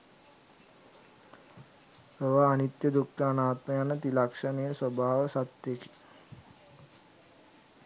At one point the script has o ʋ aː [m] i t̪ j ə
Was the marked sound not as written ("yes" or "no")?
yes